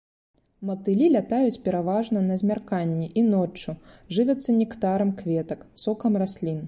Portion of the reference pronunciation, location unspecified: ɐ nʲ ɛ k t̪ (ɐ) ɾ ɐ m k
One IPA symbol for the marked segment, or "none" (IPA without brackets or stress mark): a